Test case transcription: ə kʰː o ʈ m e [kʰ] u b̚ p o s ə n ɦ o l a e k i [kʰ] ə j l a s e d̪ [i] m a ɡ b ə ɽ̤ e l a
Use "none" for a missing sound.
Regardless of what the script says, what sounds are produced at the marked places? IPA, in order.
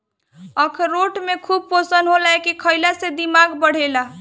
kʰ, kʰ, i

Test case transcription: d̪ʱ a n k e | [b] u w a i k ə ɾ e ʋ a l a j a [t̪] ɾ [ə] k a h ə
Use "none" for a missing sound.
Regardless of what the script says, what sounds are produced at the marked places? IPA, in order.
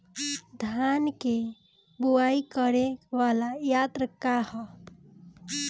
b, t̪, ə

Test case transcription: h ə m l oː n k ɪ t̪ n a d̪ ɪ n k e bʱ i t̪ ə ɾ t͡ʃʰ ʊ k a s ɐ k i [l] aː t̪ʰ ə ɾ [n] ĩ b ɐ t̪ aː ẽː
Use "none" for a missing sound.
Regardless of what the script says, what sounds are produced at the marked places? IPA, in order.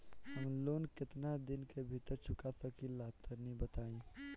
l, n

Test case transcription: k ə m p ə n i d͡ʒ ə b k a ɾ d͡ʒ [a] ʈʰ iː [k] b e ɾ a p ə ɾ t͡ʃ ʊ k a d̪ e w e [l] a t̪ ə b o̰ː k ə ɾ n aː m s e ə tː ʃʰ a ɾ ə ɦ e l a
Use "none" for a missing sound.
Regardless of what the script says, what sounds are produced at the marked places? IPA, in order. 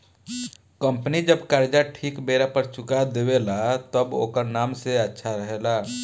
a, k, l

